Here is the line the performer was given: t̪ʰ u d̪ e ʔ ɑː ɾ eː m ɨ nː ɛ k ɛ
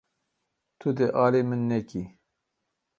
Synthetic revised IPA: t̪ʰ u d̪ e ʔ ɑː l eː m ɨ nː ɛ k i